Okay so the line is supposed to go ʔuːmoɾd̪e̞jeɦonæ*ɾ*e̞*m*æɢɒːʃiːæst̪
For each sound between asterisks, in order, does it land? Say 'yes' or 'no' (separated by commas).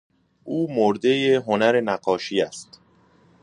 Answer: yes, no